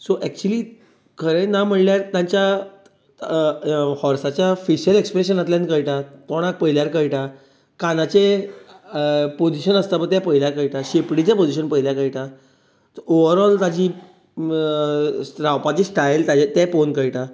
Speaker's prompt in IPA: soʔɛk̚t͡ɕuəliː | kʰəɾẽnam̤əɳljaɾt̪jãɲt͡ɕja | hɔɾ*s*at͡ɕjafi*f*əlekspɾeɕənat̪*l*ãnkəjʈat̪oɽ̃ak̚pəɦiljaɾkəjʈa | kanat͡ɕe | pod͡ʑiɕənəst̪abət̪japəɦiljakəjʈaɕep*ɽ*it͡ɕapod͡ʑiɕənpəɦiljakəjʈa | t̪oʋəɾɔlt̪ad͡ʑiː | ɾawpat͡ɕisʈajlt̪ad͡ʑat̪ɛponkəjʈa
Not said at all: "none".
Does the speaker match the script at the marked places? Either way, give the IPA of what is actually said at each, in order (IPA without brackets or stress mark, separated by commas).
s, ɕ, l, ɽ